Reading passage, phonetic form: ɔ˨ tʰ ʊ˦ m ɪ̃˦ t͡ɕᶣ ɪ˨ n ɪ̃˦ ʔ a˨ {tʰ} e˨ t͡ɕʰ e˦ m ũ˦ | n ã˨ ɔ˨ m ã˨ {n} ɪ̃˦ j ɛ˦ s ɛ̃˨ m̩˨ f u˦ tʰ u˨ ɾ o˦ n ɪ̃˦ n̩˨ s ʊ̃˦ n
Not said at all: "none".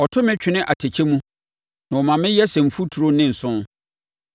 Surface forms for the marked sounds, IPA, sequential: tʰ, m

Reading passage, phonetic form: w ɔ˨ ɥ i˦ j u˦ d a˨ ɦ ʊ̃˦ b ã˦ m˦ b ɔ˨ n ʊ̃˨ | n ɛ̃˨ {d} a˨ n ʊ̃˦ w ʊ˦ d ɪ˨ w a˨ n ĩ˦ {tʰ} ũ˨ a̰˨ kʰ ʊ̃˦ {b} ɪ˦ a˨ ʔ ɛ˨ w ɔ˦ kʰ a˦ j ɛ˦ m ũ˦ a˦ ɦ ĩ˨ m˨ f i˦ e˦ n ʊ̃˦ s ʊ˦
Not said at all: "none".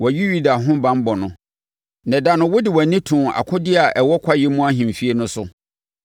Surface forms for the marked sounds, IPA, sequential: d, tʰ, d

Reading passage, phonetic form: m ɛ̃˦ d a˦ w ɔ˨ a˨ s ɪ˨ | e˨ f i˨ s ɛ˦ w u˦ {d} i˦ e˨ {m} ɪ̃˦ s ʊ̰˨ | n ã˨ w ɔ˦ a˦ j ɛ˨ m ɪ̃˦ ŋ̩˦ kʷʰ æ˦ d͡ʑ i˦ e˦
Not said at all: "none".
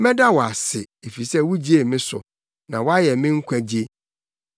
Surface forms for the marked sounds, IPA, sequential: d͡ʑ, m

